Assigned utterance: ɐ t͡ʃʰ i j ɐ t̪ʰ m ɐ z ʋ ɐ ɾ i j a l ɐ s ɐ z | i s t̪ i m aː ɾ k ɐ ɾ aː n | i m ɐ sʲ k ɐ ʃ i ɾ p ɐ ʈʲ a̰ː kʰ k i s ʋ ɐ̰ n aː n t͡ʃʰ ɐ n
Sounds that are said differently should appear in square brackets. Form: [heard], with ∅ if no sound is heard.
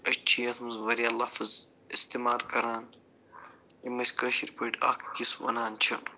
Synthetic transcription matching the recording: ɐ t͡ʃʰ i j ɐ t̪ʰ m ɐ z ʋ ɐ ɾ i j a l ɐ [f] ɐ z | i s t̪ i m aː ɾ k ɐ ɾ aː n | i m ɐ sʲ k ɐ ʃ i ɾ p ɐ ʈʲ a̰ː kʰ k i s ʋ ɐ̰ n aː n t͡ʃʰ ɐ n